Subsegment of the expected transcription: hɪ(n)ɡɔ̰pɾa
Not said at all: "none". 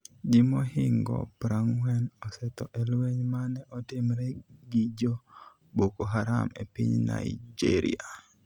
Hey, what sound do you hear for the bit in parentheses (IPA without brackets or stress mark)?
ŋ